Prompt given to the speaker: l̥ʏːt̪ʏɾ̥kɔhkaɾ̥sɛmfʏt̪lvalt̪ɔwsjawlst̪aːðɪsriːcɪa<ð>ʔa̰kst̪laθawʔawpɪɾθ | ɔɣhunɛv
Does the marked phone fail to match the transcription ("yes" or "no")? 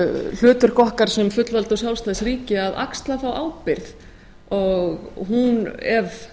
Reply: no